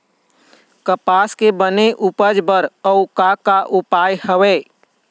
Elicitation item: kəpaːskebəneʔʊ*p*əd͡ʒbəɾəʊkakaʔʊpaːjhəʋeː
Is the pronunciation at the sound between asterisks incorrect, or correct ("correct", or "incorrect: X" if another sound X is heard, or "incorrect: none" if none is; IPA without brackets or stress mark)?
correct